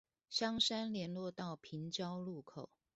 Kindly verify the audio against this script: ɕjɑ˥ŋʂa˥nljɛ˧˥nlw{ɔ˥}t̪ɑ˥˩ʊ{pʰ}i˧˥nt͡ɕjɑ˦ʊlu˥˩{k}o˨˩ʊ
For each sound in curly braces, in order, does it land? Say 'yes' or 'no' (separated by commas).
no, yes, no